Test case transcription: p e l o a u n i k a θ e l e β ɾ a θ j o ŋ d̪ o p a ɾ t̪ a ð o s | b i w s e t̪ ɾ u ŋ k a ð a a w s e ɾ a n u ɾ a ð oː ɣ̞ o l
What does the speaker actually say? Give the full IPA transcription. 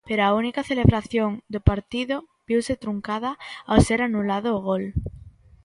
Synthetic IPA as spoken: p e ɾ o a u n i k a θ e l e β ɾ a θ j o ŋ d̪ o p a ɾ t̪ i ð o | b i w s e t̪ ɾ u ŋ k a ð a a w s e ɾ a n u l a ð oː ɣ̞ o l

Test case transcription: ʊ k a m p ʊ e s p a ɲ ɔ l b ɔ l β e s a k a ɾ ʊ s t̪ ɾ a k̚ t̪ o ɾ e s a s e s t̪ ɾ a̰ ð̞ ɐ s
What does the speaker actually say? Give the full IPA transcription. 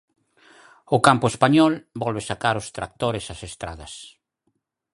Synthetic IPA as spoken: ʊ k a m p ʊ e s p a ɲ ɔ l b ɔ l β e s a k a ɾ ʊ s t̪ ɾ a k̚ t̪ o ɾ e s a s e s t̪ ɾ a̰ ð̞ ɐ s

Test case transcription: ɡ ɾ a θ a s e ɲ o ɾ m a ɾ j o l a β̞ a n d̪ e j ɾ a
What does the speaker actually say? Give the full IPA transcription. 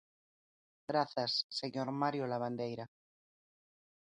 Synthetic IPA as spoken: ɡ ɾ a θ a sː e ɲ o ɾ m a ɾ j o l a β̞ a n d̪ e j ɾ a

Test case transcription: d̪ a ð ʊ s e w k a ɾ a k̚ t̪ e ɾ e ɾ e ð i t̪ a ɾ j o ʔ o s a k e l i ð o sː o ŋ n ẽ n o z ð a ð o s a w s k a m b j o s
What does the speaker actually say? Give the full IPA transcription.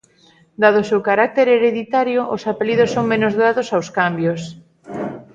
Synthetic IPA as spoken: d̪ a ð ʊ s e w k a ɾ a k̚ t̪ e ɾ e ɾ e ð i t̪ a ɾ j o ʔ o s a p e l i ð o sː o ŋ m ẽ n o z ð a ð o s a w s k a m b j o s

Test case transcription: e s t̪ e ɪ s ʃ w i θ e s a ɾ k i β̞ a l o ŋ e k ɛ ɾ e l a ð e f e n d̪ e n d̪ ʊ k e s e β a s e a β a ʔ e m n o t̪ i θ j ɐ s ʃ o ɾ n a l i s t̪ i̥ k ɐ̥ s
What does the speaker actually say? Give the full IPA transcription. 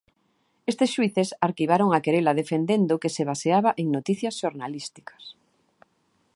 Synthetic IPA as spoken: e s t̪ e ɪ s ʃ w i θ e s a ɾ k i β̞ a ɾ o ŋ a k e ɾ e l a ð e f e n d̪ e n d̪ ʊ k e s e β a s e a β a ʔ e ŋ n o t̪ i θ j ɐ s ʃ o ɾ n a l i s t̪ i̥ k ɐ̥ s

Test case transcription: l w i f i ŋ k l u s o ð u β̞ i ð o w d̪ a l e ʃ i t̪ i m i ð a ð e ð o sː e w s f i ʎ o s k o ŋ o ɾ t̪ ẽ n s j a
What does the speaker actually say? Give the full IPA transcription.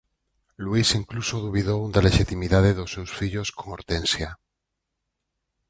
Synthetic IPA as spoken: l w i s i ŋ k l u s o ð u β̞ i ð o w d̪ a l e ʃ i t̪ i m i ð a ð e ð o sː e w s f i ʎ o s k o ŋ o ɾ t̪ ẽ n s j a

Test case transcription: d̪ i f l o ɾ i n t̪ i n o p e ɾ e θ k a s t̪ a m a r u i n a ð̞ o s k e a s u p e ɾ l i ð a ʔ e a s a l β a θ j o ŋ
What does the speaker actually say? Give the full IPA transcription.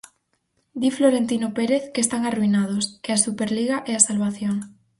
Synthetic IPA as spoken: d̪ i f l o ɾ e n t̪ i n o p e ɾ e θ k e s t̪ a ŋ a r u i n a ð̞ o s k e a s u p e ɾ l i ɣ a ʔ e a s a l β a θ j o ŋ

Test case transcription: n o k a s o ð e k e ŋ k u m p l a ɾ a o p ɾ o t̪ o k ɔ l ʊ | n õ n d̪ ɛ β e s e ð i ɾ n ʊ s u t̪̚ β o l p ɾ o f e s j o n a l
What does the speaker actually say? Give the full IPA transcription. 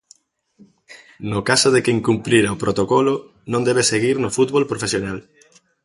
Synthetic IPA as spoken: n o k a s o ð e k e ŋ k u m p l i ɾ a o p ɾ o t̪ o k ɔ l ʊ | n õ n d̪ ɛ β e s e ɣ i ɾ n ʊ f u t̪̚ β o l p ɾ o f e s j o n a l

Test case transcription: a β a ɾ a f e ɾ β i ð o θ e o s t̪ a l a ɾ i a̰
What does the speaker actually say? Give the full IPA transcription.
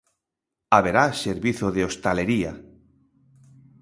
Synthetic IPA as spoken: a β e ɾ a s e ɾ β i θ o ð e o s t̪ a l e ɾ i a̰

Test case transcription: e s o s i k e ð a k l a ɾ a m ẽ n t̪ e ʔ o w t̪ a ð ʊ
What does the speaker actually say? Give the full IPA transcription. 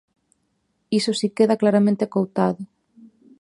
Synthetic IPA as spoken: i s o s i k e ð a k l a ɾ a m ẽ n t̪ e k o w t̪ a ð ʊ

